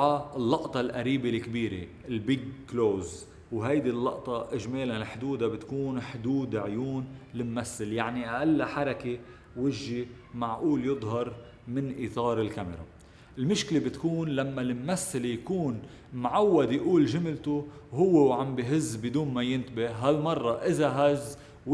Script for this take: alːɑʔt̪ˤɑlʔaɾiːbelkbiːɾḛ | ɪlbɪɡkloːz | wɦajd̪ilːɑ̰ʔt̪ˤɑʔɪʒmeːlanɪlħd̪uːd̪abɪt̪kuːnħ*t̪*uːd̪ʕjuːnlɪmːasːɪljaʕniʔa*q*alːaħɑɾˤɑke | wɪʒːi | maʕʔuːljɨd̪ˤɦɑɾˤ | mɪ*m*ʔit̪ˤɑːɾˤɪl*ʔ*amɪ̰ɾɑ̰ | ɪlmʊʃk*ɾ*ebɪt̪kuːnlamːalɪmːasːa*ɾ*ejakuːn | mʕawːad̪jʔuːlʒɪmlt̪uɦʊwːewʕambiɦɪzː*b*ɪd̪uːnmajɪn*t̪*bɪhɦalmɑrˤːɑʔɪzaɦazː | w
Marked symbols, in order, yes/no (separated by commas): no, no, no, no, no, no, yes, yes